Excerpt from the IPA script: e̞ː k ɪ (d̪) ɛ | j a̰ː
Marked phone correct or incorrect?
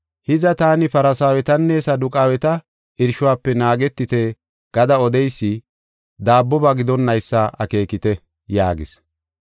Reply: incorrect